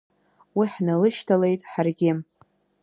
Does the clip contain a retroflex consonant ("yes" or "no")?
no